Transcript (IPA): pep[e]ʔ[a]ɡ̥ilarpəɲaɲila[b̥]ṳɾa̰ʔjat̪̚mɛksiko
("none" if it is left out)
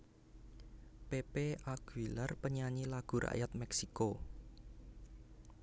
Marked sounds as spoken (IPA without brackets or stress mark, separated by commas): e, a, ɡ̥